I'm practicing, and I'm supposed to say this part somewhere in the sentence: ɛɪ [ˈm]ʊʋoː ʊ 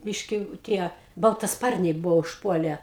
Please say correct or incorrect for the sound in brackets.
incorrect